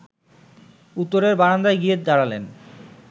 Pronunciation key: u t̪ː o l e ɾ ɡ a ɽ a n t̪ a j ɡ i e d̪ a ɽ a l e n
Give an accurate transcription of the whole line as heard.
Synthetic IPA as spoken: u t̪ː o ɾ e ɾ b a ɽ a n d̪ a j ɡ i e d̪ a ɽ a l e n

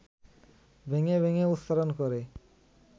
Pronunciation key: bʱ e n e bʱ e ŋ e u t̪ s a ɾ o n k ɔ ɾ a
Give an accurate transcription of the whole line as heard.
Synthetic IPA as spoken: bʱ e ŋ e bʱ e ŋ e u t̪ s a ɾ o n k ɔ ɾ e

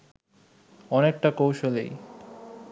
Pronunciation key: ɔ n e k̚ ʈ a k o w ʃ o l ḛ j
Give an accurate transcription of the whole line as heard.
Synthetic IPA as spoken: ɔ n e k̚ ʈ a k o w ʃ o l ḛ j

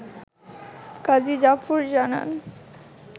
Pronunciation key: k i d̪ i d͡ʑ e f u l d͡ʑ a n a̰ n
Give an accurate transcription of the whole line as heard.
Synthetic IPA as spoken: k a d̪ i d͡ʑ a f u ɾ d͡ʑ a n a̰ n

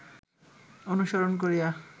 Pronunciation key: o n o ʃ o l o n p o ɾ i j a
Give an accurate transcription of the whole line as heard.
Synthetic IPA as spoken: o n u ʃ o ɾ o n k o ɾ i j a

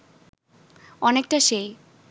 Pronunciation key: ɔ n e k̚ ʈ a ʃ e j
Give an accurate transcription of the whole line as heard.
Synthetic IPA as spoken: ɔ n e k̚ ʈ a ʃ e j

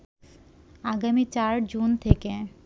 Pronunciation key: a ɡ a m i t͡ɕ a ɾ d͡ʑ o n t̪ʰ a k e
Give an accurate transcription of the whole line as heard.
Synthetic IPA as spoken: a ɡ a m i t͡ɕ a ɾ d͡ʑ u n t̪ʰ e k e

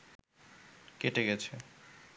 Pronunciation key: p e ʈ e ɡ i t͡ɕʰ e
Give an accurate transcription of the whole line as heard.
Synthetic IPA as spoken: k e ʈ e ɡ ɛ t͡ɕʰ e

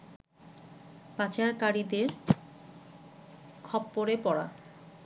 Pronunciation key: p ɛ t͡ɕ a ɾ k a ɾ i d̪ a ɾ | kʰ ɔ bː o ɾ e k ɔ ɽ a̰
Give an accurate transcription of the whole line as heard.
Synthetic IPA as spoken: p a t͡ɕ a ɾ k a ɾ i d̪ e ɾ | kʰ ɔ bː o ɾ e p ɔ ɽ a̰

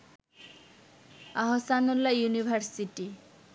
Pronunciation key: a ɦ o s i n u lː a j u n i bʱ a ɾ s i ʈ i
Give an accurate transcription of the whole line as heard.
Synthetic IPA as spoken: a ɦ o s a n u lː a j u n i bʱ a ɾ s i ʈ i

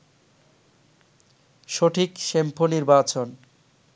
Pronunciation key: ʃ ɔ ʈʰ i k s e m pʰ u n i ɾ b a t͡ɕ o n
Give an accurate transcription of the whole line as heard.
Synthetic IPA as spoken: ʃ o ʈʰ i k ʃ e m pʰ o n i ɾ b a t͡ɕ o n

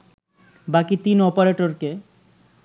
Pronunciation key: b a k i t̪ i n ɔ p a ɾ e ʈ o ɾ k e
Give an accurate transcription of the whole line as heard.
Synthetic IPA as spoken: b a k i t̪ i n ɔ p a ɾ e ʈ o ɾ k e

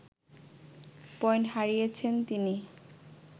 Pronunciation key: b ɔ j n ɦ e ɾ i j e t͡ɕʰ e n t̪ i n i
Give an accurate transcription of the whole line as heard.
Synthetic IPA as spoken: p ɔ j n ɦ a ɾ i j e t͡ɕʰ e n t̪ i n i

